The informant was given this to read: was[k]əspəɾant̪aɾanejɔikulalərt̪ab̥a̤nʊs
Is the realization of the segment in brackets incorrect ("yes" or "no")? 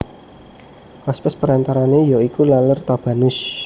yes